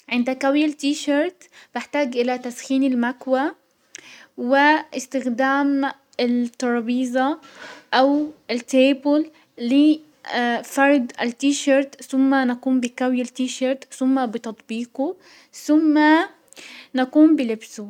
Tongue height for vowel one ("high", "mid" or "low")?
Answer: high